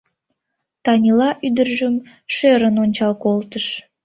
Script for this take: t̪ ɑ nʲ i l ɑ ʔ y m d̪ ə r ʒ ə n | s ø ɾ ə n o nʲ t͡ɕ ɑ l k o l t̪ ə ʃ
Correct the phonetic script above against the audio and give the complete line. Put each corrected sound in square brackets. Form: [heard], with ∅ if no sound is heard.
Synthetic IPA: t̪ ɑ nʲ i l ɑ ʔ y [∅] d̪ ə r ʒ ə [m] | [ʃ] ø ɾ ə n o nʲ t͡ɕ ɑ l k o l t̪ ə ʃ

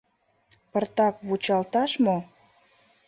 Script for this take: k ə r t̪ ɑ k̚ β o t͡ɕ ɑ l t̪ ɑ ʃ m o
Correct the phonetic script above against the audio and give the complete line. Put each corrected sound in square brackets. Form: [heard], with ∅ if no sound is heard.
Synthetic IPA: [p] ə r t̪ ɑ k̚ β [u] t͡ɕ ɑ l t̪ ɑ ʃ m o

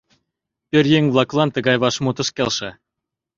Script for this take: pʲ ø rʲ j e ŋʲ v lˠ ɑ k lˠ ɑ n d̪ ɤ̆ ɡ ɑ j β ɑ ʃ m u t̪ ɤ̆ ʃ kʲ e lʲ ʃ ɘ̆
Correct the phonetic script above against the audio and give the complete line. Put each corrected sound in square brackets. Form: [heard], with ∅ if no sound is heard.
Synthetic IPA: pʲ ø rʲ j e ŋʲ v lˠ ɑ k lˠ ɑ n [t̪] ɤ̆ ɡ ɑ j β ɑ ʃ m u t̪ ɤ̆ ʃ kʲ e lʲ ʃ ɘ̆

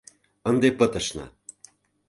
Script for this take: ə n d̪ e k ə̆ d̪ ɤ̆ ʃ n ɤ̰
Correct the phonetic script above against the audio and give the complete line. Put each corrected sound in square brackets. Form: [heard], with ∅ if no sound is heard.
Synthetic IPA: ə n d̪ e [p] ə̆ [t̪] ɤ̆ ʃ n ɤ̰

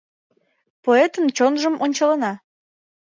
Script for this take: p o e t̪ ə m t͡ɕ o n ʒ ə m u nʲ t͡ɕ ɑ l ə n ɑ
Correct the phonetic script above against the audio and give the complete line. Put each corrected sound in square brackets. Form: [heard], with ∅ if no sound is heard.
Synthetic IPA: p o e t̪ ə [n] t͡ɕ o n ʒ ə m [o] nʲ t͡ɕ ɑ l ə n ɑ

